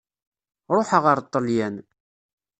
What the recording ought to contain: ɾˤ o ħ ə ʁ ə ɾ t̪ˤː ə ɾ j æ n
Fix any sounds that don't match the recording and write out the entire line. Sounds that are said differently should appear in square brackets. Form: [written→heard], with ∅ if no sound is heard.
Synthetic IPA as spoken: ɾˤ o ħ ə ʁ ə ɾ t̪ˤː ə [ɾ→l] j æ n